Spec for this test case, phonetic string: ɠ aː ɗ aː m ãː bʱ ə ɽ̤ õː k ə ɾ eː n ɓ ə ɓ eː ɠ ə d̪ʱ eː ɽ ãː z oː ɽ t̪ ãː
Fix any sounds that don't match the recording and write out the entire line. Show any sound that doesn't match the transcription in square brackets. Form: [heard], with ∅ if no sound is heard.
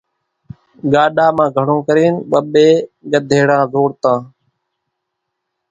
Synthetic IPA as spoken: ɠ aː ɗ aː m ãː [ɡʱ] ə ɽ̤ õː k ə ɾ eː n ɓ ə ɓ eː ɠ ə d̪ʱ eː ɽ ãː z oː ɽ t̪ ãː